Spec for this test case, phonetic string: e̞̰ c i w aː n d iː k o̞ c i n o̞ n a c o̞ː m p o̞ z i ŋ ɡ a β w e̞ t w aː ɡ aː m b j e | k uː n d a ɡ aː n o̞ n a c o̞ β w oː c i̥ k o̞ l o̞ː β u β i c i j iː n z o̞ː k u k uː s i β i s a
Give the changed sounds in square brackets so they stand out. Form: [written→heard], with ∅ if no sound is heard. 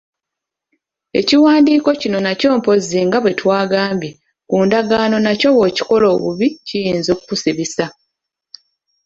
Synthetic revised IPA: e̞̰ c i w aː n d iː k o̞ c i n o̞ n a c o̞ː m p o̞ z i ŋ ɡ a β w e̞ t w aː ɡ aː m b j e | k uː n d a ɡ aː n o̞ n a c o̞ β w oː c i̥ k o̞ l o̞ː β u β i c i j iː n z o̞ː k u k [uː→u] s i β i s a